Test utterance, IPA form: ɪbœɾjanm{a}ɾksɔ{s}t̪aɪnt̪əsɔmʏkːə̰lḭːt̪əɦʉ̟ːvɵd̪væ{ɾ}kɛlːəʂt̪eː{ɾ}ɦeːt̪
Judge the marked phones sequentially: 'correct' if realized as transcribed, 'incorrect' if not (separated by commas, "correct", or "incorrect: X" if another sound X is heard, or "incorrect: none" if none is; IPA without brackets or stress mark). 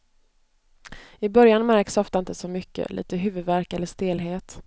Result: incorrect: æ, incorrect: f, correct, incorrect: l